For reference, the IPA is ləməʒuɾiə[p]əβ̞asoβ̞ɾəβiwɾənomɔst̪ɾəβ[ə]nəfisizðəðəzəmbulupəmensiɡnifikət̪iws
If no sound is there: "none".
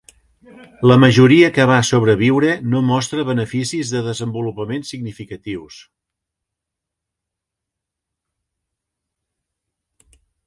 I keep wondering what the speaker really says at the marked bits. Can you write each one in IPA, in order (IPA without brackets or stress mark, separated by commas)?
k, ə